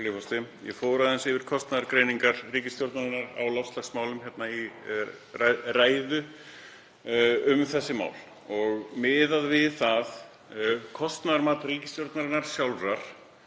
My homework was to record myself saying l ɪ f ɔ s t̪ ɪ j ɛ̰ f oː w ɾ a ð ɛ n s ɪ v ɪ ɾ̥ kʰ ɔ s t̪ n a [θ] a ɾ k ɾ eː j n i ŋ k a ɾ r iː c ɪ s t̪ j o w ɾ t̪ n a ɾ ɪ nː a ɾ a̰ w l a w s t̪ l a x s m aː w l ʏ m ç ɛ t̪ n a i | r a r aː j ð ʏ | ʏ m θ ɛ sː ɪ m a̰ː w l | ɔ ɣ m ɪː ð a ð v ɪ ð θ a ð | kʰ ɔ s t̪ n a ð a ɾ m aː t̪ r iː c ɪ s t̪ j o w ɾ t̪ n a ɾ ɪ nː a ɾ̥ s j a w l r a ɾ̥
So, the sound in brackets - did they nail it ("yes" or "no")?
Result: no